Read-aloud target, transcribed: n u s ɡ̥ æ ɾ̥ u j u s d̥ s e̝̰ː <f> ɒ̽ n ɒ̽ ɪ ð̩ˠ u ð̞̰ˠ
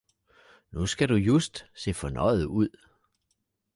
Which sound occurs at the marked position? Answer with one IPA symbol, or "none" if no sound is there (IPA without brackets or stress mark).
f